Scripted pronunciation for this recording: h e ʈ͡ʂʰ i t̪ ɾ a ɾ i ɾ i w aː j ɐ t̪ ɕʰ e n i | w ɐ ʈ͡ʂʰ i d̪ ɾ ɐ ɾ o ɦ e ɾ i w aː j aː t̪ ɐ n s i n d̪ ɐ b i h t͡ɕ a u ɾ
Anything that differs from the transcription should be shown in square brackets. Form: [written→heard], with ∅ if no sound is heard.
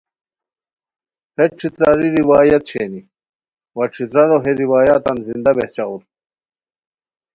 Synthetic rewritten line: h e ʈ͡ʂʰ i t̪ ɾ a ɾ i ɾ i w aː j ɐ t̪ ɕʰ e n i | w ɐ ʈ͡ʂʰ i [d̪→t̪] ɾ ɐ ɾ o ɦ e ɾ i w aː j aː t̪ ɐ n [s→z] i n d̪ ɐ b [i→e] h t͡ɕ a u ɾ